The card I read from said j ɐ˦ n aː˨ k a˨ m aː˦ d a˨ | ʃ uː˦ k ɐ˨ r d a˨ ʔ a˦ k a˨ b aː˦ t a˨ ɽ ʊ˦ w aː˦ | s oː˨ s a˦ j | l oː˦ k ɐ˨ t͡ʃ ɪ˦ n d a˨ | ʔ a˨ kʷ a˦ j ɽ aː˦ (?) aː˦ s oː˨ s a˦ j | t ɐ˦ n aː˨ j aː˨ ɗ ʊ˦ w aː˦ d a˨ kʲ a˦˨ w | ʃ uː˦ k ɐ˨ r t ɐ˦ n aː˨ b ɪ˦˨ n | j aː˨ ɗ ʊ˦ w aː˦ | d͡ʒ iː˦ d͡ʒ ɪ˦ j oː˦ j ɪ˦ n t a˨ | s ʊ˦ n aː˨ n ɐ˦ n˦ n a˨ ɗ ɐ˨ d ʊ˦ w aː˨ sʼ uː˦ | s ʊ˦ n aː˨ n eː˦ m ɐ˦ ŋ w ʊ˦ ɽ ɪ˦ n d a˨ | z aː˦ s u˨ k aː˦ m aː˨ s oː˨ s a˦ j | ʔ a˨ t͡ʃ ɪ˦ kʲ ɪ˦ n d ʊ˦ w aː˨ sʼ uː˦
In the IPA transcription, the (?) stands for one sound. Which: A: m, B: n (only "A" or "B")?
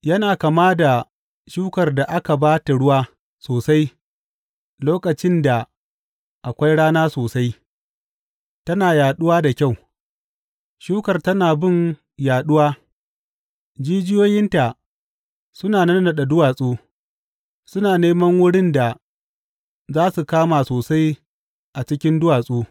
B